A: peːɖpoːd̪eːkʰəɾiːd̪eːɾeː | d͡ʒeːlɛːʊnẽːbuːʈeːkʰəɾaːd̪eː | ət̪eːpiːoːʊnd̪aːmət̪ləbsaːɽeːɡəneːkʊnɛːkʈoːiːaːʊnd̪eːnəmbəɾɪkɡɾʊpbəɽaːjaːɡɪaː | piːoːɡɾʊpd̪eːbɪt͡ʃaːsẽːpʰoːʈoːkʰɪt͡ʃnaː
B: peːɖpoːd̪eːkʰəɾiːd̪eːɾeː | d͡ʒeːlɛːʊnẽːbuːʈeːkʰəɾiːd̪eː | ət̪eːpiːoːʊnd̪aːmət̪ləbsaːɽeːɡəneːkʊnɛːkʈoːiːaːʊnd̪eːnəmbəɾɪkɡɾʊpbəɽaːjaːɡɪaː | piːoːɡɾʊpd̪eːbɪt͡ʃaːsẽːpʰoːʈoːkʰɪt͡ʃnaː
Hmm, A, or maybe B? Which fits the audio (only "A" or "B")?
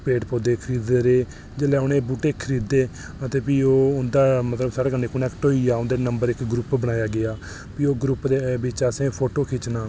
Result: B